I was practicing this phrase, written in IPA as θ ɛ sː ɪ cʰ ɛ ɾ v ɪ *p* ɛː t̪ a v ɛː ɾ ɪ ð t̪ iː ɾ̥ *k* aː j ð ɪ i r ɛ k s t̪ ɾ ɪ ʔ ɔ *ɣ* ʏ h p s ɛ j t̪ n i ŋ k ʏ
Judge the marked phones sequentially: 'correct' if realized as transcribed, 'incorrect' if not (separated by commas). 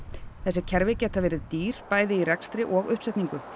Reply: incorrect, incorrect, correct